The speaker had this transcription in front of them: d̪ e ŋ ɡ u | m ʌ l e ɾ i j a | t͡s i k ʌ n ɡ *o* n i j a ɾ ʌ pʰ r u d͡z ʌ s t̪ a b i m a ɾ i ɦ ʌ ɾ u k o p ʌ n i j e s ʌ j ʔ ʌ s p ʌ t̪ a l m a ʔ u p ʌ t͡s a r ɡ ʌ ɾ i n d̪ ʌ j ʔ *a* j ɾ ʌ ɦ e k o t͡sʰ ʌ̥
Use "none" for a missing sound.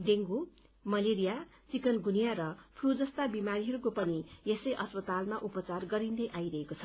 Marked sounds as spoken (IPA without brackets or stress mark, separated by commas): u, a